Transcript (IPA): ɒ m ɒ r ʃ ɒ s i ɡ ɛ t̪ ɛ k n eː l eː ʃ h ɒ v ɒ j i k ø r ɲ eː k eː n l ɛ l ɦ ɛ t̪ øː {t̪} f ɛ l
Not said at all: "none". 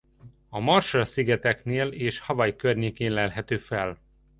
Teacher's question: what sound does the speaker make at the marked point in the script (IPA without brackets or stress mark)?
none